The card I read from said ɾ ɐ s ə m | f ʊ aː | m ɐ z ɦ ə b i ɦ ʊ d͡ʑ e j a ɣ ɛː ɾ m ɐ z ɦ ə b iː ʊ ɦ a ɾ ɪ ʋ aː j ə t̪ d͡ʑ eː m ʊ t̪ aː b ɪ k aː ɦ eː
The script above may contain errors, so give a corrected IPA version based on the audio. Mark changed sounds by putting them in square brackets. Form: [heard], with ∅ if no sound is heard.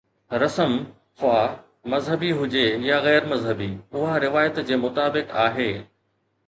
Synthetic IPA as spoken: ɾ ɐ s ə m | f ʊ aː | m ɐ z ɦ ə b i ɦ ʊ d͡ʑ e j a ɣ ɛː ɾ m ɐ z ɦ ə b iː ʊ ɦ a ɾ ɪ ʋ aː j ə t̪ d͡ʑ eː m ʊ t̪ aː b ɪ k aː ɦ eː

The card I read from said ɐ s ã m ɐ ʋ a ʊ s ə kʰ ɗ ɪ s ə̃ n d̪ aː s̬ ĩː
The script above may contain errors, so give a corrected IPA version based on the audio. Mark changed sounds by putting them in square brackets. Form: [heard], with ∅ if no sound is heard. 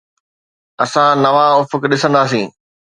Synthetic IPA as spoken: ɐ s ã [n] ɐ ʋ a ʊ [f] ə [k] ɗ ɪ s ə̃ n d̪ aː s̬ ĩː

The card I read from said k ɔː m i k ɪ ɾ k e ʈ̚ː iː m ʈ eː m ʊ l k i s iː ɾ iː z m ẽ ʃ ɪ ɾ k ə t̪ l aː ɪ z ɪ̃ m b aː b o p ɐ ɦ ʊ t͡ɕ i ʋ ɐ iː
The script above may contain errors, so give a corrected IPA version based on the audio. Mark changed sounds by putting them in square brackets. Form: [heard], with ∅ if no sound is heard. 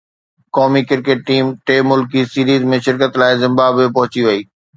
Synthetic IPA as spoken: k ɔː m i k ɪ ɾ k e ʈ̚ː iː m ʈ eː m ʊ l k i s iː ɾ iː z m ẽ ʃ ɪ ɾ k ə t̪ l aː ɪ z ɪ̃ m b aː b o p ɐ ɦ ʊ t͡ɕ i ʋ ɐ iː

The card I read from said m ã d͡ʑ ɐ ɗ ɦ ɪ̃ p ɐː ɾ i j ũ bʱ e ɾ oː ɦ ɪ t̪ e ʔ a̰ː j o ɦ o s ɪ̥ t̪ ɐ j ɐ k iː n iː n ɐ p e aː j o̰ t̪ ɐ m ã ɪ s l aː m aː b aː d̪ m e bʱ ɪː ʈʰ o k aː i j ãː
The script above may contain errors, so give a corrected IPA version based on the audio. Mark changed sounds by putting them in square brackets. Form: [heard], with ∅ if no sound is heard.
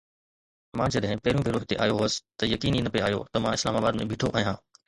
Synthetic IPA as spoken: m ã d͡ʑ ɐ ɗ ɦ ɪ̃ p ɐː ɾ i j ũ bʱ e ɾ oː ɦ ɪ t̪ e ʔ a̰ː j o ɦ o s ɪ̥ t̪ ɐ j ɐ k iː n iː n ɐ p e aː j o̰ t̪ ɐ m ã ɪ s l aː m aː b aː d̪ m [ẽ] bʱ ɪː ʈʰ o [ʔ] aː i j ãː

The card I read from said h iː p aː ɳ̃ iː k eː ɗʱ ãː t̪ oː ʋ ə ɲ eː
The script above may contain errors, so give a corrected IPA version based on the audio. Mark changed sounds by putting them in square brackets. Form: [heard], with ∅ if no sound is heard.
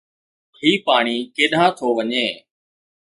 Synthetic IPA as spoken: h iː p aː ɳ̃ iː k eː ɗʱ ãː [t̪ʰ] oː ʋ ə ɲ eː

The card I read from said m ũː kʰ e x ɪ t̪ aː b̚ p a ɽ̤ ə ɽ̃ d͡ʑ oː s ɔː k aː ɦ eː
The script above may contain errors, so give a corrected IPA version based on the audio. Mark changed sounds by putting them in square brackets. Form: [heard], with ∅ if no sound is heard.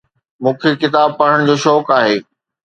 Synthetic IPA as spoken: m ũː kʰ e [k] ɪ t̪ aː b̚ p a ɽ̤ ə ɽ̃ d͡ʑ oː [ʃ] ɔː k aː ɦ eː

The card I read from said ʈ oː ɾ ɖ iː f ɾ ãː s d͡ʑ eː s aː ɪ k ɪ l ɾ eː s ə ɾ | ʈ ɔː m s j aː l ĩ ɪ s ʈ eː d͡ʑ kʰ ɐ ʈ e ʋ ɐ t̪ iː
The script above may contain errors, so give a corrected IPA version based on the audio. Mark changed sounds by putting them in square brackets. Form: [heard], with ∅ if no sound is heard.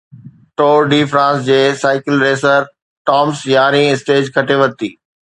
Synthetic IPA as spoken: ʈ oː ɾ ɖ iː f ɾ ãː s d͡ʑ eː s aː ɪ k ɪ l ɾ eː s ə ɾ | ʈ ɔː m s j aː [ɾ] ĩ ɪ s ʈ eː d͡ʑ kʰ ɐ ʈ e ʋ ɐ t̪ iː

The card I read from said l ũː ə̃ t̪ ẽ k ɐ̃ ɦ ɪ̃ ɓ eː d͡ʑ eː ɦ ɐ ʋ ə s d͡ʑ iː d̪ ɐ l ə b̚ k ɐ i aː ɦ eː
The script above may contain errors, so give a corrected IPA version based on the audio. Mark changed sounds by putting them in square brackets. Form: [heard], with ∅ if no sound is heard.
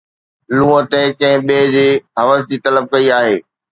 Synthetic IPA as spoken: l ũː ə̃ t̪ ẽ k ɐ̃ ɦ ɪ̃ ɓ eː d͡ʑ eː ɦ ɐ ʋ ə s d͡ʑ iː [t̪] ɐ l ə b̚ k ɐ i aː ɦ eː

